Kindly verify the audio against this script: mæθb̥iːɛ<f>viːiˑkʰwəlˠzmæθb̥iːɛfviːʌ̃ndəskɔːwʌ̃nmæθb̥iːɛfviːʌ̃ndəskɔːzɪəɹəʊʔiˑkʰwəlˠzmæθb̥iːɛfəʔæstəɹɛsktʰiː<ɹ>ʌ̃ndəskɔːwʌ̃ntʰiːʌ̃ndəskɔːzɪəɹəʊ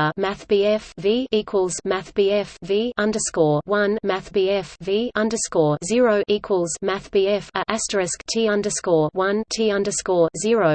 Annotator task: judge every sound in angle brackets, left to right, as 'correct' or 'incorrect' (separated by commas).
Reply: correct, incorrect